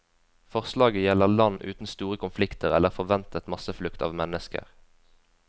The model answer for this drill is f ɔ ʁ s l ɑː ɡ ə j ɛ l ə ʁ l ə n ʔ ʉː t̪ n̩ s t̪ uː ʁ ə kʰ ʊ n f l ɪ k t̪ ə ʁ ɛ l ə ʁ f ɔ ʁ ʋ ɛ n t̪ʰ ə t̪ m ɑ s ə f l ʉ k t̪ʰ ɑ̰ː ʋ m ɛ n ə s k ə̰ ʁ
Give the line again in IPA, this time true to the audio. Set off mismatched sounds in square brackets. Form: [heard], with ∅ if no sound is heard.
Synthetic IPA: f ɔ ʁ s l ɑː ɡ ə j ɛ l ə ʁ l [ɑ] n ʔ ʉː t̪ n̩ s t̪ uː ʁ ə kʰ ʊ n f l ɪ k t̪ ə ʁ ɛ l ə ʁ f ɔ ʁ ʋ ɛ n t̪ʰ ə t̪ m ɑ s ə f l ʉ k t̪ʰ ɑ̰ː ʋ m ɛ n ə s k ə̰ ʁ